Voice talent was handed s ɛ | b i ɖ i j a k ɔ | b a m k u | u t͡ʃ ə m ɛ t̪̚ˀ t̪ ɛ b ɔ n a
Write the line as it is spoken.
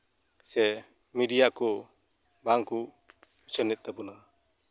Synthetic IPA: s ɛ | m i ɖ i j a k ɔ | b a ŋ k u | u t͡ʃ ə n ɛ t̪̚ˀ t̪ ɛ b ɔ n a